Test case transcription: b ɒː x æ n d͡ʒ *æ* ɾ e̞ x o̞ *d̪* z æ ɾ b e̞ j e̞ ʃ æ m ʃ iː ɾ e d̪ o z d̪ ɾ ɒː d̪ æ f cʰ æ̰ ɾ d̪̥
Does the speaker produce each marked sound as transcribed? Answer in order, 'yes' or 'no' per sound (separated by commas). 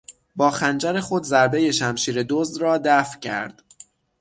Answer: yes, yes